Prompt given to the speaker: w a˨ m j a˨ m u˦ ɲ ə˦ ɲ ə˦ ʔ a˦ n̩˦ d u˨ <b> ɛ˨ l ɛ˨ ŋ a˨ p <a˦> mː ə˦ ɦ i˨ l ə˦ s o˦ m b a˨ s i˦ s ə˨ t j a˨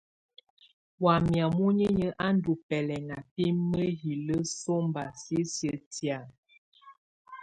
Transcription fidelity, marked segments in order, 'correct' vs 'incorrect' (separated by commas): incorrect, incorrect